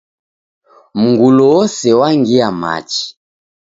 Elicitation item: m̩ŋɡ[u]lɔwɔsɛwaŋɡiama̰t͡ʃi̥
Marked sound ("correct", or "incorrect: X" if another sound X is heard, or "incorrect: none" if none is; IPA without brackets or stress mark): correct